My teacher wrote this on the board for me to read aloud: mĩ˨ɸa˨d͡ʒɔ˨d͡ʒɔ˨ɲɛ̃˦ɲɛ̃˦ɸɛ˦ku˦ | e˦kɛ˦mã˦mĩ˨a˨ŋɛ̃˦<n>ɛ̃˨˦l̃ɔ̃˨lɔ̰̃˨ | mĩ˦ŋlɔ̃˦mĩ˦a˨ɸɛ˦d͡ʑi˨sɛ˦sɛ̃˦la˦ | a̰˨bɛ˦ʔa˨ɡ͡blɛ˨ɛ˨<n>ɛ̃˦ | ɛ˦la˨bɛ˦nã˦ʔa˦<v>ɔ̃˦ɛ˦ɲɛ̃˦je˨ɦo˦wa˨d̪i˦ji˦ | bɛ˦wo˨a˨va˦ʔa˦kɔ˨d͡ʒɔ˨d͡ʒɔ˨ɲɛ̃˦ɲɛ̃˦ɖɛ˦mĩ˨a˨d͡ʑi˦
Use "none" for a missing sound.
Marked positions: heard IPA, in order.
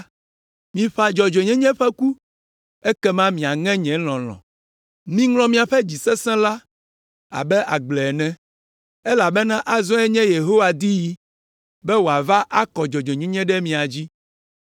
ɲ, n, z

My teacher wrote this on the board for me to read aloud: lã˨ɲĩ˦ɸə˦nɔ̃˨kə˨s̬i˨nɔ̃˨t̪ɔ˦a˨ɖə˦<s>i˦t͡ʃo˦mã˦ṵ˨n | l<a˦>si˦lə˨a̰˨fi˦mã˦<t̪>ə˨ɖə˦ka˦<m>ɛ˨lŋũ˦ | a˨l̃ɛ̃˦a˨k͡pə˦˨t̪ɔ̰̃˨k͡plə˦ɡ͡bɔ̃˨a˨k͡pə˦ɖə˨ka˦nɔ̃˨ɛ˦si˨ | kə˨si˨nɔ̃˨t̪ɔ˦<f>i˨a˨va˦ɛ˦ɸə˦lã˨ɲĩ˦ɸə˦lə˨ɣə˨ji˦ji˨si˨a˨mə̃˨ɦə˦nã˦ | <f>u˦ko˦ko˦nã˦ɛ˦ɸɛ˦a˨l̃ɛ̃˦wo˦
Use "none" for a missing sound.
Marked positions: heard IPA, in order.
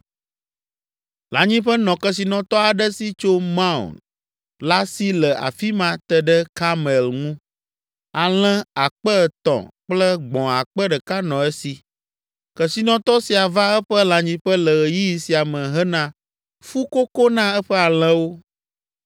s, a˦, t̪, m, s, f

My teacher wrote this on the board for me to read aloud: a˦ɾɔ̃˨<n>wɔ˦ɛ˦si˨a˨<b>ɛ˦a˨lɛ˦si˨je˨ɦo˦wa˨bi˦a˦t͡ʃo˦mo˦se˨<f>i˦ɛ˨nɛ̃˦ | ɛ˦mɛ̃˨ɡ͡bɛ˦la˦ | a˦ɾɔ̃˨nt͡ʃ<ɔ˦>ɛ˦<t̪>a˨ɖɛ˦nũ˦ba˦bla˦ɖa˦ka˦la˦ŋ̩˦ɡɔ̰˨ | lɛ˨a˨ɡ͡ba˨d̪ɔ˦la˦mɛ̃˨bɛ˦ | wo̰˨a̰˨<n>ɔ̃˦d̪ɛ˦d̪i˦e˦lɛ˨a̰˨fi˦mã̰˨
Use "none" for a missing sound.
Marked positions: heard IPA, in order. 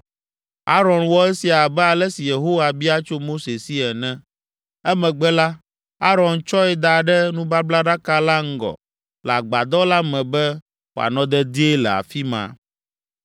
n, b, s, ɔ˦, d̪, n

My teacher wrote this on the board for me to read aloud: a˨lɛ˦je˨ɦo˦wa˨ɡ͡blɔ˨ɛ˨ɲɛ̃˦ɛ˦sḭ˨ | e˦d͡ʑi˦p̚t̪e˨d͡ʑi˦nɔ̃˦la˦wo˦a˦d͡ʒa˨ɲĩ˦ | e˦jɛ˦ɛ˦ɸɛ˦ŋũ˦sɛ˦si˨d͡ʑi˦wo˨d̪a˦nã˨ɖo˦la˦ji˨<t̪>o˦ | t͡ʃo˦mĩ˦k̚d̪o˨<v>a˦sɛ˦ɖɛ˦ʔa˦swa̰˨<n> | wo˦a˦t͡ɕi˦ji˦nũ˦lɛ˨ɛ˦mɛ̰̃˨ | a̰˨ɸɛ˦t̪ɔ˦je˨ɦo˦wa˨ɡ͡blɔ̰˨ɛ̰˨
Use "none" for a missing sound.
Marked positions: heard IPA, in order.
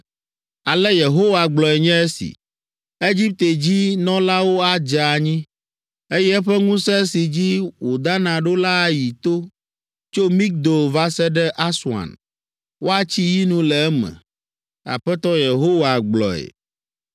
t̪, v, n

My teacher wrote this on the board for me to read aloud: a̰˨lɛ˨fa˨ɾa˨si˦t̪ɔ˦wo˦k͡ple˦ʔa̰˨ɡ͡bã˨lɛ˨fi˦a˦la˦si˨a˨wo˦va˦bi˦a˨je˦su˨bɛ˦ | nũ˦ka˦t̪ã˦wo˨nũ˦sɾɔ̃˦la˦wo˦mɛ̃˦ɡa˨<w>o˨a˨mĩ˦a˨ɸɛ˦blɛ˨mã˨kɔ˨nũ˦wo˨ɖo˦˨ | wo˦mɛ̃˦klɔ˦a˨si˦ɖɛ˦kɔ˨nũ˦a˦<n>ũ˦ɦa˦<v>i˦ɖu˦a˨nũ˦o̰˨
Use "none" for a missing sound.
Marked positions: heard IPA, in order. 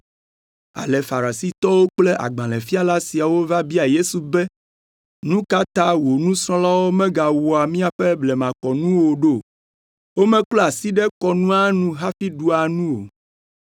w, n, f

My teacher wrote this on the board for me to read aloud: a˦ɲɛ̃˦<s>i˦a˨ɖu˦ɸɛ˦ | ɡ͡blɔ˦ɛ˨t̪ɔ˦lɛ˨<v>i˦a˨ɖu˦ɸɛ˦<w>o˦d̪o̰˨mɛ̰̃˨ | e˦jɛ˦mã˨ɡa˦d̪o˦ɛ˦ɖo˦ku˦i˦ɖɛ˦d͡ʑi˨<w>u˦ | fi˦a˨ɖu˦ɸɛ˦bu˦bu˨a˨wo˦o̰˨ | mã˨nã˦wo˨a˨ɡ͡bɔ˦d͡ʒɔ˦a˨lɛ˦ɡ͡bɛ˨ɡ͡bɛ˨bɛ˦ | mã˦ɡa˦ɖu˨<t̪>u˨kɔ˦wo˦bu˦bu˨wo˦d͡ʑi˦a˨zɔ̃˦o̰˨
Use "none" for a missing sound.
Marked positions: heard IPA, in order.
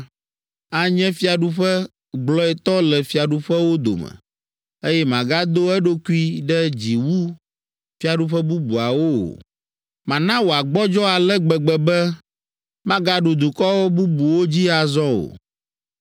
f, f, w, w, d̪

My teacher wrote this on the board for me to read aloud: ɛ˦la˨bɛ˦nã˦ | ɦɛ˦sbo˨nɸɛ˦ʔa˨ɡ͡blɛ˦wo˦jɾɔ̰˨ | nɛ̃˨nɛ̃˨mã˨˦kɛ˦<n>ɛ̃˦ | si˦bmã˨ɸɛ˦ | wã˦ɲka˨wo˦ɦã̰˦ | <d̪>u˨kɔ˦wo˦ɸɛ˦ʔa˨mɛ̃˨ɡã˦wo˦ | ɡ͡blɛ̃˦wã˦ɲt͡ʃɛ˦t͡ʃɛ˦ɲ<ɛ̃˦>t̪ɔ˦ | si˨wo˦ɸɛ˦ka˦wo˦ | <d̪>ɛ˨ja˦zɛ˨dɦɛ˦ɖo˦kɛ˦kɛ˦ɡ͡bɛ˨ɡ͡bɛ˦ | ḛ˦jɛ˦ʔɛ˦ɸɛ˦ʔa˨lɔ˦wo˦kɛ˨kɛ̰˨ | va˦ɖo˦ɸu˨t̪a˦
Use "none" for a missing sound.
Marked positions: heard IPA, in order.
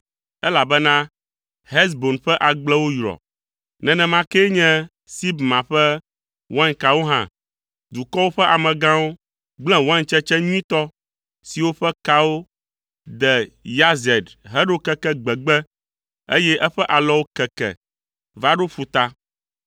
ɲ, d̪, ĩ˦, d̪

